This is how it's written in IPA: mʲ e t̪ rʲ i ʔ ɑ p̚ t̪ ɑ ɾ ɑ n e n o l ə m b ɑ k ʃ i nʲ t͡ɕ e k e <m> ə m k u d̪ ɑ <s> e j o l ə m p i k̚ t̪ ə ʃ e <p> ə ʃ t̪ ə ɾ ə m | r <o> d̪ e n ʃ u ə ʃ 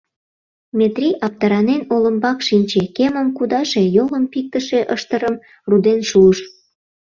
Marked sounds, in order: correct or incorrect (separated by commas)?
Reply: correct, incorrect, incorrect, incorrect